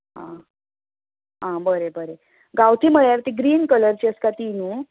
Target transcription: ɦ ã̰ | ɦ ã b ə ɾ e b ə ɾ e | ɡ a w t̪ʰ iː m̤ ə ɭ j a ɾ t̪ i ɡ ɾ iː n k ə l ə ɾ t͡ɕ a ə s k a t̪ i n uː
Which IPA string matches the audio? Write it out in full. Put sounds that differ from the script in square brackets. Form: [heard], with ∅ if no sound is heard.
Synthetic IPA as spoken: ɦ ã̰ | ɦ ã b ə ɾ e b ə ɾ e | ɡ a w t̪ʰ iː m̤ ə ɭ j a ɾ t̪ i ɡ ɾ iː n k ə l ə ɾ t͡ɕ [i] ə s k a t̪ i n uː